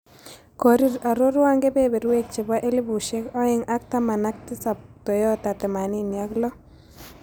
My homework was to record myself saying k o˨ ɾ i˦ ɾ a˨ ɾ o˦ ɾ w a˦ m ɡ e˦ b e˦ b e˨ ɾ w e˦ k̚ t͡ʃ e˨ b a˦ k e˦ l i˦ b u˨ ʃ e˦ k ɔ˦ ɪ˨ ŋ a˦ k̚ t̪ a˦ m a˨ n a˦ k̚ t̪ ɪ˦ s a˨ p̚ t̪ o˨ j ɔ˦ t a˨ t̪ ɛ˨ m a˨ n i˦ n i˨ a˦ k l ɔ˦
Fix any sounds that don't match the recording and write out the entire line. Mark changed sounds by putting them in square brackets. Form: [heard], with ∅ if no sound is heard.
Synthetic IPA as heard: k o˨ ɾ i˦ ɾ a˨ ɾ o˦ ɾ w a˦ [ŋ] ɡ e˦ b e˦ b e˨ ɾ w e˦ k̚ t͡ʃ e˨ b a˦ [ʔ] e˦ l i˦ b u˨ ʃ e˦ k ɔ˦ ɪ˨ ŋ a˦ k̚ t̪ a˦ m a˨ n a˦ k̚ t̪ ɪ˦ s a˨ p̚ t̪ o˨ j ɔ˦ t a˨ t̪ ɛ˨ m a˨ n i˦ n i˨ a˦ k l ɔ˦